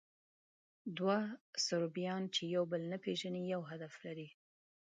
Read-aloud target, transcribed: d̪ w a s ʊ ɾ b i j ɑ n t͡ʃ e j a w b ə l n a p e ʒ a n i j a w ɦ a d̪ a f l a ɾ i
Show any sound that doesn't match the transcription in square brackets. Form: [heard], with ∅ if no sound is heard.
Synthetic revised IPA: d̪ w a s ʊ ɾ b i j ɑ n t͡ʃ e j a w b ə l n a p e ʒ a n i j a w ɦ a d̪ a f l a ɾ i